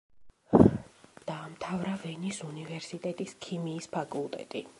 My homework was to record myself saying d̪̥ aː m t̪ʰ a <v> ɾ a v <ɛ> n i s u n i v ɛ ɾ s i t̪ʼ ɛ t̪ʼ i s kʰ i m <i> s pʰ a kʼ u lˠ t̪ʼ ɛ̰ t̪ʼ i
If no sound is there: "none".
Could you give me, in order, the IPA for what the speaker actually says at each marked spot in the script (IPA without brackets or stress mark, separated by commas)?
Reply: v, ɛ, iː